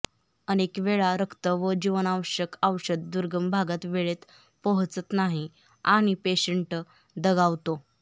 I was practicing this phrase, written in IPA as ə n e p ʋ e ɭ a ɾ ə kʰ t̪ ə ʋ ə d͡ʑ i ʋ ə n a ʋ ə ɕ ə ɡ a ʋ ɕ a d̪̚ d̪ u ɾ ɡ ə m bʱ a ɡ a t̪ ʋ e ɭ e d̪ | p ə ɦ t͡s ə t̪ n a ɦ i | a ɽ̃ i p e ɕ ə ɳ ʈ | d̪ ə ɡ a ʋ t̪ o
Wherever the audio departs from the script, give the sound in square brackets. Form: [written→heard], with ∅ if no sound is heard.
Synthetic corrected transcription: ə n e [p→k] ʋ e ɭ a ɾ ə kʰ t̪ ə ʋ ə d͡ʑ i ʋ ə n a ʋ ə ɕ ə [ɡ→k] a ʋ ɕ [a→ə] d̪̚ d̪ u ɾ ɡ ə m bʱ a ɡ a t̪ ʋ e ɭ e [d̪→t̪] | p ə ɦ t͡s ə t̪ n a ɦ i | a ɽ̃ i p e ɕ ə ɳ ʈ | d̪ ə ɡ a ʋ t̪ o